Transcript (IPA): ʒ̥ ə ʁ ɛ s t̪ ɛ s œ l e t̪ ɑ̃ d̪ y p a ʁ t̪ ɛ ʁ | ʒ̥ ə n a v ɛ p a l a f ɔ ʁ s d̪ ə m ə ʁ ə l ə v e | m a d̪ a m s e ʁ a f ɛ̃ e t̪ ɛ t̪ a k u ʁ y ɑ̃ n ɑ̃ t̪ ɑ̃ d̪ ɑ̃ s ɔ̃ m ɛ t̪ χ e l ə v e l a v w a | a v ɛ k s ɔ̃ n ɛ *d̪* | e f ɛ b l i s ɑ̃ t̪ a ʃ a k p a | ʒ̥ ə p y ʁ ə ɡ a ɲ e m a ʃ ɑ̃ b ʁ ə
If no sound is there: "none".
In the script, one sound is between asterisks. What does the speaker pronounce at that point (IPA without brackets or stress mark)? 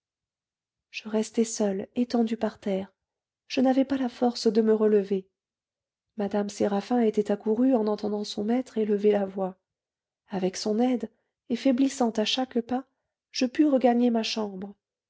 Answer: d̪